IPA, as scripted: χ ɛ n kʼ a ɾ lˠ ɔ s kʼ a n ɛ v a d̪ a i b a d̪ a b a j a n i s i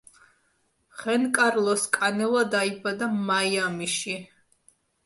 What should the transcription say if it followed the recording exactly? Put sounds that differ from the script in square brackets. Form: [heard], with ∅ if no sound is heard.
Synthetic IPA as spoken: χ ɛ n kʼ a ɾ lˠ ɔ s kʼ a n ɛ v a d̪ a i b a d̪ a [m] a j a [m] i [ʃ] i